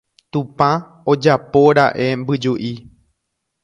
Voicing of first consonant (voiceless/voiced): voiceless